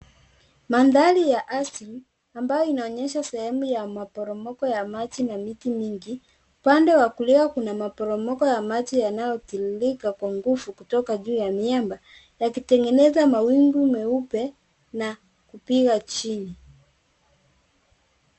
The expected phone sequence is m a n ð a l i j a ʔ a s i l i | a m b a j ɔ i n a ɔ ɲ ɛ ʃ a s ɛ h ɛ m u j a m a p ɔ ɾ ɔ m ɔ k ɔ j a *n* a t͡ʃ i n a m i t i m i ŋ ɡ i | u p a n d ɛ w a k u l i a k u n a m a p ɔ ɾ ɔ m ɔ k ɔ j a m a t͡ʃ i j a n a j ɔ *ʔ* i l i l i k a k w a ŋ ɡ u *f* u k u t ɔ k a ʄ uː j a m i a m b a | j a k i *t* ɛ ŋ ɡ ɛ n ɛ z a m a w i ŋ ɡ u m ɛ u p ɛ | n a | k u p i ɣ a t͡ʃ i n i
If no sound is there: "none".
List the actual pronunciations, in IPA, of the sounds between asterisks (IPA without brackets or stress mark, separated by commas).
m, t, f, t